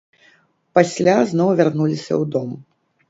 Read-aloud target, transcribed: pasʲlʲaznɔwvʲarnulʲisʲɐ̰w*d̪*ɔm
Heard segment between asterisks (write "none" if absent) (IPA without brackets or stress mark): d̪